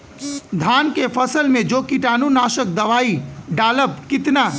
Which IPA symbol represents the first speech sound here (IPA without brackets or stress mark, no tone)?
d̪ʱ